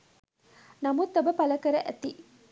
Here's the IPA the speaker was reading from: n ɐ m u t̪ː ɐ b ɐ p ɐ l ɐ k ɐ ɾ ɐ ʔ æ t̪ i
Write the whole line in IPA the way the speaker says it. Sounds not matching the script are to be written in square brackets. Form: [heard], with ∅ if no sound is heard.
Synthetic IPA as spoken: n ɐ m u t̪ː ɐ b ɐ p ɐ l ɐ k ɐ ɾ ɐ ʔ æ t̪ i